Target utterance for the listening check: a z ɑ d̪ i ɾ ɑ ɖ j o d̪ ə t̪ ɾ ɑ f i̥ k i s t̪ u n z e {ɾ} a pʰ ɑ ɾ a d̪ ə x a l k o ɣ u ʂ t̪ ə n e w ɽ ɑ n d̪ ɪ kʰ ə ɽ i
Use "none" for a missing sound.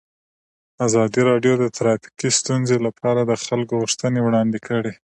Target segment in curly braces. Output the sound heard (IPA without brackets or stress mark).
l